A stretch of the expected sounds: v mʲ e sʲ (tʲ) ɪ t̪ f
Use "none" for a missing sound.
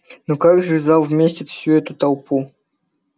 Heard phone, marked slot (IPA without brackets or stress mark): tʲ